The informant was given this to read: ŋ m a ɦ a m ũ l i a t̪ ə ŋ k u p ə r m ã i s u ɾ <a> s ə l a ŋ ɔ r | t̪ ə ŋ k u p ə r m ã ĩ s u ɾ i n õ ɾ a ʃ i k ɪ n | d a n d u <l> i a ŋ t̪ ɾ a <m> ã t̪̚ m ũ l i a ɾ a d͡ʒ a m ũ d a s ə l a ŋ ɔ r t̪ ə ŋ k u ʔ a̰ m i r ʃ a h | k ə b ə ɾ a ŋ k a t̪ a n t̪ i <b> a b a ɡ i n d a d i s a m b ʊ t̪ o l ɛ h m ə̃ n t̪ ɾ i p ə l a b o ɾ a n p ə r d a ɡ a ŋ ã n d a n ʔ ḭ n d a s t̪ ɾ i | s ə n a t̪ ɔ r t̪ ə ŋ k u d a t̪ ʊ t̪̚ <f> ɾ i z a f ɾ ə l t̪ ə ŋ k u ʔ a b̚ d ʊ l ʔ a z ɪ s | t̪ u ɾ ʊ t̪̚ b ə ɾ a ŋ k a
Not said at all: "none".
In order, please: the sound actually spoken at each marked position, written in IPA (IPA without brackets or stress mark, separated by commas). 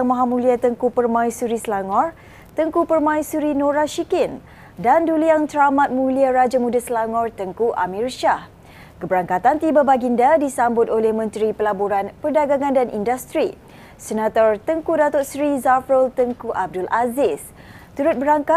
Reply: i, l, m, b, s